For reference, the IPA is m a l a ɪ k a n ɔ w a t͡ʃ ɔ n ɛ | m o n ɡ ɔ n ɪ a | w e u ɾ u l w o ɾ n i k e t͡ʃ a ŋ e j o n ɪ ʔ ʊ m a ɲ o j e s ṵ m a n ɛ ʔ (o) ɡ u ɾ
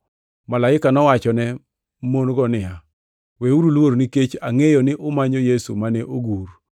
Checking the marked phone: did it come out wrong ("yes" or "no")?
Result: no